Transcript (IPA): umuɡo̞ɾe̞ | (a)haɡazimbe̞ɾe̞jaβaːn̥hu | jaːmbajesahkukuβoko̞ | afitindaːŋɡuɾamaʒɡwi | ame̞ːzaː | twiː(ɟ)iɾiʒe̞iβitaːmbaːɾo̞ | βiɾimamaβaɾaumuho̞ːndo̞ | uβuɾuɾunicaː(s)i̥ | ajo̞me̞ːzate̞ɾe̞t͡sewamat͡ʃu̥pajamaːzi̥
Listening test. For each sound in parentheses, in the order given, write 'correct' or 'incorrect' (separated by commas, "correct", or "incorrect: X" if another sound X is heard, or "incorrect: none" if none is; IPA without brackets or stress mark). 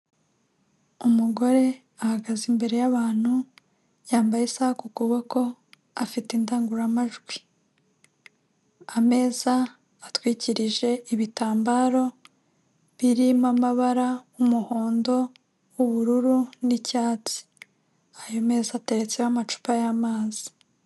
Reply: correct, incorrect: c, incorrect: t͡s